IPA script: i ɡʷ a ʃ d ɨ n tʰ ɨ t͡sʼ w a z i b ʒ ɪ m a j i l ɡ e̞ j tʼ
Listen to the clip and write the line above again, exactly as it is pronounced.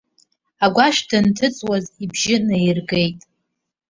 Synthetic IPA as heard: a ɡʷ a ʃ d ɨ n tʰ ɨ t͡sʼ w a z i b ʒ ɪ n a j i r ɡ e̞ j tʼ